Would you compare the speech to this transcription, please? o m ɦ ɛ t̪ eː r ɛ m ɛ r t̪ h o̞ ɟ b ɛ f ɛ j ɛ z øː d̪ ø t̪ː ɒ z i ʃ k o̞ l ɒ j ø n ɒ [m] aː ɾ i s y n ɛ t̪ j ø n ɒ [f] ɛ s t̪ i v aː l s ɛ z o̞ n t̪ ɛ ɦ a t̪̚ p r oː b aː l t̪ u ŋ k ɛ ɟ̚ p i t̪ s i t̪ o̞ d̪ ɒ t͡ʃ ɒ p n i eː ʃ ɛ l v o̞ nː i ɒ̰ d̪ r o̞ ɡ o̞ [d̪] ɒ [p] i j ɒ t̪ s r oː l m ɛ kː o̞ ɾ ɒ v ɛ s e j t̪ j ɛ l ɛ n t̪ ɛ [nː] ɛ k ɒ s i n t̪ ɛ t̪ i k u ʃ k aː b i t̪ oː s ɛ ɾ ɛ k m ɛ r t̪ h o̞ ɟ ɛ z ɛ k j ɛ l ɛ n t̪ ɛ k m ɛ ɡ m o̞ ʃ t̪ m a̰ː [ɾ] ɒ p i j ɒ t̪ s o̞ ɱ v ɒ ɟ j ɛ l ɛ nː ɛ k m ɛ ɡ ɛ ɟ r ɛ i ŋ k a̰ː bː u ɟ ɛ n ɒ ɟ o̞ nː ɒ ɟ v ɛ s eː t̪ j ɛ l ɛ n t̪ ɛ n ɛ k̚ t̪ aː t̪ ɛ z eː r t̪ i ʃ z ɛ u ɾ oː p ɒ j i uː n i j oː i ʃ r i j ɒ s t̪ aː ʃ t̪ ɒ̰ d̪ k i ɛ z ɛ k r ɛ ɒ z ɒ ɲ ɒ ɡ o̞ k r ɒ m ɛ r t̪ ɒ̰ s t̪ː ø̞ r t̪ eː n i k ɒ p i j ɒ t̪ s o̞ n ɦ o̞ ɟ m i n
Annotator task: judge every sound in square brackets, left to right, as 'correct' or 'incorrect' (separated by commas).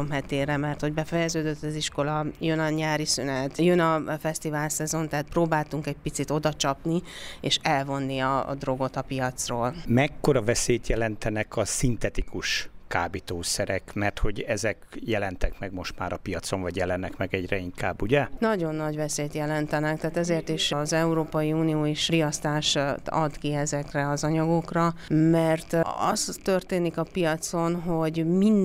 incorrect, correct, incorrect, correct, incorrect, correct